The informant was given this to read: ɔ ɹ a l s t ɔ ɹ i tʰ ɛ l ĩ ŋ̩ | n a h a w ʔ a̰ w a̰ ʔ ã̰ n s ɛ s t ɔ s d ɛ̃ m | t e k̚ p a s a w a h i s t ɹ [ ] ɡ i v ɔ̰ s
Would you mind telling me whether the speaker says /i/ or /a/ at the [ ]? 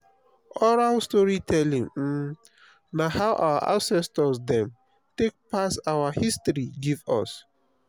i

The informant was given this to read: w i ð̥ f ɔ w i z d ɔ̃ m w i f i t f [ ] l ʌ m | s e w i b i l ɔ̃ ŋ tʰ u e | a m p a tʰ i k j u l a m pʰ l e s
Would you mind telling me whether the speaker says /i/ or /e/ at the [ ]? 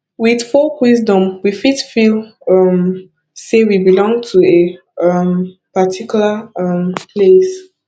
i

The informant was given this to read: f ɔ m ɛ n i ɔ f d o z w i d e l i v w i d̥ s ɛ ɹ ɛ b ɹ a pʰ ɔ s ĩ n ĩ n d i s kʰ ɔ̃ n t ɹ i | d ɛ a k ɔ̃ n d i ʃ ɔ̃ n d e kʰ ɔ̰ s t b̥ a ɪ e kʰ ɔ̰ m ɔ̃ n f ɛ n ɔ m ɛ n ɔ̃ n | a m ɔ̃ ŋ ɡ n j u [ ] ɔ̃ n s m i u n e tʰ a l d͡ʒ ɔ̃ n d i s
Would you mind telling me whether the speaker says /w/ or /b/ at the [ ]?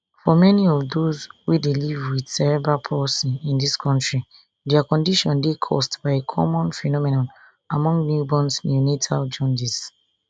b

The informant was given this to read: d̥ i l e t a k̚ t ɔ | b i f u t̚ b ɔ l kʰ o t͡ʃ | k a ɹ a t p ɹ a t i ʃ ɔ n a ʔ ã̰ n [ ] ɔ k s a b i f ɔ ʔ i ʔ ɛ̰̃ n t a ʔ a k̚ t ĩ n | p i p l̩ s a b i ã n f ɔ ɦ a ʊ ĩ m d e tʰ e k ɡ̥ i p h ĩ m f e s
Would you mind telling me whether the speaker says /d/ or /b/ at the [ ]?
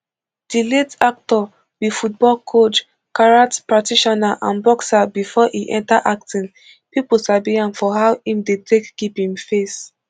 b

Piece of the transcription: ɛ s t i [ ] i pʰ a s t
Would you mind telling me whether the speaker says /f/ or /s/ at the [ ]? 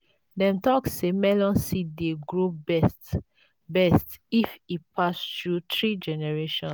f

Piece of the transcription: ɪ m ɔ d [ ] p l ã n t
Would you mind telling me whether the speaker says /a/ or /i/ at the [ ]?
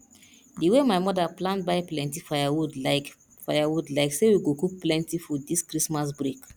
a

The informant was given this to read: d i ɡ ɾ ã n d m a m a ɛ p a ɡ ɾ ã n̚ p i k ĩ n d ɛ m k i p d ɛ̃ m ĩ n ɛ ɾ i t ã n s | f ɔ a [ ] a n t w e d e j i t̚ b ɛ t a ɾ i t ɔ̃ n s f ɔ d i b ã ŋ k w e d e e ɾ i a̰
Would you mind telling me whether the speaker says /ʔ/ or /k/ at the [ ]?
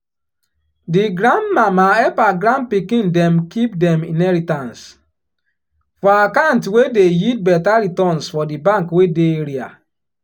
k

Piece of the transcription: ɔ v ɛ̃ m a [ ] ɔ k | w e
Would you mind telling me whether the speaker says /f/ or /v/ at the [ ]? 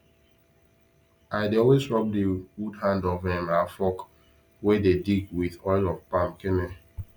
f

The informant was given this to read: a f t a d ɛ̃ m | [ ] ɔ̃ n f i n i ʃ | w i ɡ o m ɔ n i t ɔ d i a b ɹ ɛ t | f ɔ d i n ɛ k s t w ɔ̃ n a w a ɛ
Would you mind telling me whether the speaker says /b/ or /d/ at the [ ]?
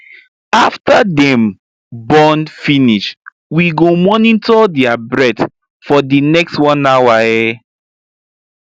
b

